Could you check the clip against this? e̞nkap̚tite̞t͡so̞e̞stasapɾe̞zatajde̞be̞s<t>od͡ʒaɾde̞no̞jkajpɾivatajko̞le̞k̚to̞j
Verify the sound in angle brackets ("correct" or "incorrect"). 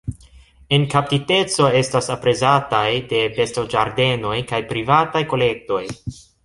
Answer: correct